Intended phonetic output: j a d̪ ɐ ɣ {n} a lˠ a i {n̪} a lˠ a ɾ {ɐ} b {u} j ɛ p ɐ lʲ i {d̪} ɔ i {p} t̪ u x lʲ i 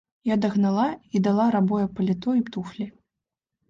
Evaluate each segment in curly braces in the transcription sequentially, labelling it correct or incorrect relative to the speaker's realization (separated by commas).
correct, incorrect, incorrect, incorrect, incorrect, correct